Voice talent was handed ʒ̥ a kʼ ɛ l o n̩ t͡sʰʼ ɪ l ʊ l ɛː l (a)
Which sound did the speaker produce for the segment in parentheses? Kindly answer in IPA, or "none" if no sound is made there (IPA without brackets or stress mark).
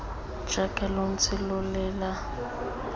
a